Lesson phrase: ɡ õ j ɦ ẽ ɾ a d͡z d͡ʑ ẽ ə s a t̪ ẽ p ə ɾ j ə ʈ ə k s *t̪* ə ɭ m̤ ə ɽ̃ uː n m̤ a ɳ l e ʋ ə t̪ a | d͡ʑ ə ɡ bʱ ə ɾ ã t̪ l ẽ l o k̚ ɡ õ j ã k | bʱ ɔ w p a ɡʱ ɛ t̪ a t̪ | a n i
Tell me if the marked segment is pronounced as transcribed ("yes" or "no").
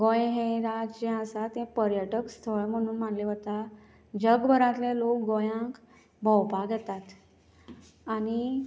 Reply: no